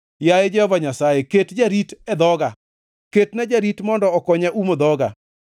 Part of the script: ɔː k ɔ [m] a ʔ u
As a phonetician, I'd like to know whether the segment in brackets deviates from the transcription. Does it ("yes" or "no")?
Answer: yes